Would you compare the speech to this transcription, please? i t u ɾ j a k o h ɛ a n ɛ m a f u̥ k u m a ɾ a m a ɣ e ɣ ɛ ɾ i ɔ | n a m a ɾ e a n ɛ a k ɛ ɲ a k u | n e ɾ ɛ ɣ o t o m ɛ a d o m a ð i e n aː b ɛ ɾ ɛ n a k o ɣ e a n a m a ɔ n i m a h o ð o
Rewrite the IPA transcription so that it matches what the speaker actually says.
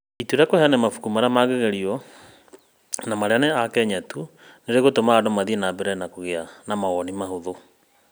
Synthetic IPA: i t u ɾ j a k o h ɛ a n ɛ m a f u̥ k u m a ɾ a m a ɣ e ɣ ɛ ɾ i ɔ | n a m a ɾ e a n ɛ a k ɛ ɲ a t u | n e ɾ e ɣ o t o m a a d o m a ð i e n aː b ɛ ɾ ɛ n a k o ɣ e a n a m a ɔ n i m a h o ð o